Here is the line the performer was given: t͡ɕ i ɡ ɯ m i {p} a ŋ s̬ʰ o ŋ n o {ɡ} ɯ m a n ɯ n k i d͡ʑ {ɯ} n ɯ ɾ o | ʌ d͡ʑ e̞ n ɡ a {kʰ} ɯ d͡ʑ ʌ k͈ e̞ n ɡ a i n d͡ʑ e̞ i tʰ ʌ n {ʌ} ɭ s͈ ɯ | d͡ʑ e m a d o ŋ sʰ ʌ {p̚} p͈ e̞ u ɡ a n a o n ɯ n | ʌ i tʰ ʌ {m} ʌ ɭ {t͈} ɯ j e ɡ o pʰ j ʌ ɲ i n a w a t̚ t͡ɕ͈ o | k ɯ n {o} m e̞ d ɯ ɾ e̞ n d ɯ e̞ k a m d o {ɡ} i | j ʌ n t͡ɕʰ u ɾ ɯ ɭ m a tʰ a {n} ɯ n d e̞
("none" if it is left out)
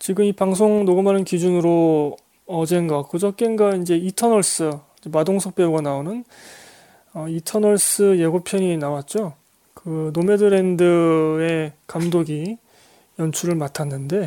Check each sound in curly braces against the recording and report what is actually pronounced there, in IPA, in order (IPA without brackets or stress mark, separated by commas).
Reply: p, ɡ, u, k, ʌ, k̚, n, s͈, o, ɡ, nː